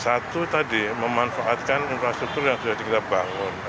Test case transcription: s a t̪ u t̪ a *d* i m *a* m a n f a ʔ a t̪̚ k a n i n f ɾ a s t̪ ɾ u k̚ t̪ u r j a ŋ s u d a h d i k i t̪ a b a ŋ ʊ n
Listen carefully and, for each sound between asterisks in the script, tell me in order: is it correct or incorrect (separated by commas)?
correct, incorrect